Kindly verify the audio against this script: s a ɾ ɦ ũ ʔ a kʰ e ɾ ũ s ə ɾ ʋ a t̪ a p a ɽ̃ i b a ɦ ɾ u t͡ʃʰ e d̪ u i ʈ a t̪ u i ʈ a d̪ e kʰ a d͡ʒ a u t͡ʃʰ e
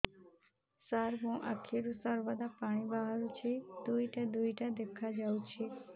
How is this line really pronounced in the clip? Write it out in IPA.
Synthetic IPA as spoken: s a ɾ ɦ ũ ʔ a kʰ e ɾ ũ s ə ɾ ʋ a d̪ a p a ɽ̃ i b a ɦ ɾ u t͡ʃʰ e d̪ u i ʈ a d̪ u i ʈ a d̪ e kʰ a d͡ʒ a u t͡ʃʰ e